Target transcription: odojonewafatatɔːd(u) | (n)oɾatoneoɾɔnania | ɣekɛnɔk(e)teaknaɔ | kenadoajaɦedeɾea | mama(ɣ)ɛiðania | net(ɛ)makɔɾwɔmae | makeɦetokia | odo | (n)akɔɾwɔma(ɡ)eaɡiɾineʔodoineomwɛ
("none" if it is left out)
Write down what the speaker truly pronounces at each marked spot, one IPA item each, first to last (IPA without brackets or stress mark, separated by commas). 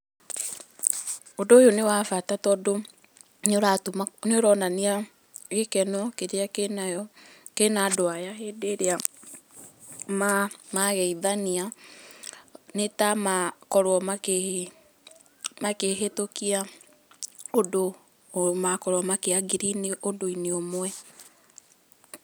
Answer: o, n, e, ɣ, a, m, k